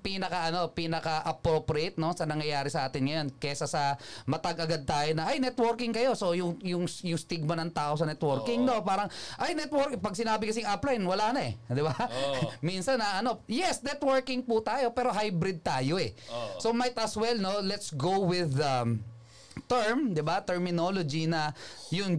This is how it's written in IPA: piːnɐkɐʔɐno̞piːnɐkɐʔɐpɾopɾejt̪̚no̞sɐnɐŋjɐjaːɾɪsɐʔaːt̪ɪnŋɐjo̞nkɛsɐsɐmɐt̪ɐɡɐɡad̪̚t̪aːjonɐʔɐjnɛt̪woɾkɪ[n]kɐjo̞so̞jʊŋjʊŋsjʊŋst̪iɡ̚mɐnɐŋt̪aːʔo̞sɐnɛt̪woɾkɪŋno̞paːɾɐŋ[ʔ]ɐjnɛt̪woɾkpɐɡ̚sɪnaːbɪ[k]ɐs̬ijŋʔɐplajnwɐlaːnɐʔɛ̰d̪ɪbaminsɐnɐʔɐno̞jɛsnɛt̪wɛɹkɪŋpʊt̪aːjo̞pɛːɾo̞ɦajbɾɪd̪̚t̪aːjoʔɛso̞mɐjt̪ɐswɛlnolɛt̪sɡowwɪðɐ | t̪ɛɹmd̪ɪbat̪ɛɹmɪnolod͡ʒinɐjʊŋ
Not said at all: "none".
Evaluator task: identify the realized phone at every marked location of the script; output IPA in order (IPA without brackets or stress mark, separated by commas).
ŋ, ʔ, k